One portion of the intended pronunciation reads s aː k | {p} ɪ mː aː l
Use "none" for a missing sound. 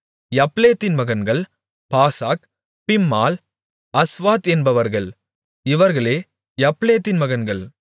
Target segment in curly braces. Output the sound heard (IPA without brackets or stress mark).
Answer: p